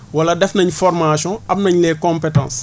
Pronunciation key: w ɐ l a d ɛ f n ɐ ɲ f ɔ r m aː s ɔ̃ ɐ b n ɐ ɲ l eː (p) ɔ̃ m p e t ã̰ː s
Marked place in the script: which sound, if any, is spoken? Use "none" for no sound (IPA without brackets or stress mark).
k